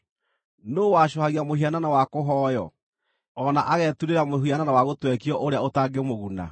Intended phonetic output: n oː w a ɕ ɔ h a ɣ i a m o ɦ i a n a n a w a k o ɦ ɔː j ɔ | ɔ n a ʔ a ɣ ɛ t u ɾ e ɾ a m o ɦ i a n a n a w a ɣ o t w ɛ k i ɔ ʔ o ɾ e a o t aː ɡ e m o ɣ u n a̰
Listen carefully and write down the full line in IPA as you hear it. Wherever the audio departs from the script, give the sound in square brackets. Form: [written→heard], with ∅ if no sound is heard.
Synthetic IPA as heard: n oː w a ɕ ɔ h a ɣ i a m o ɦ i a n a n a w a k o ɦ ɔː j ɔ | ɔ n a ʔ a ɣ ɛ t u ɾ e ɾ a m o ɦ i a n a n a w a ɣ o t w ɛ k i ɔ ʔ o ɾ e a o t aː ɡ e m o ɣ u n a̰